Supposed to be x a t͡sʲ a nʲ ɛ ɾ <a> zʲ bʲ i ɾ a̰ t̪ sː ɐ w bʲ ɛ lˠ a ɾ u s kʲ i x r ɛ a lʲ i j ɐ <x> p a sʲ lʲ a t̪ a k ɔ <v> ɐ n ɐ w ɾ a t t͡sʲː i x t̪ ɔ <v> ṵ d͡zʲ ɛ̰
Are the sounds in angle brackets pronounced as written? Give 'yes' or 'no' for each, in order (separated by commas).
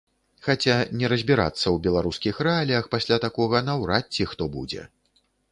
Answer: no, yes, no, no